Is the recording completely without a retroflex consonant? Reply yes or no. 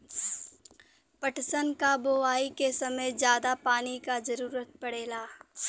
no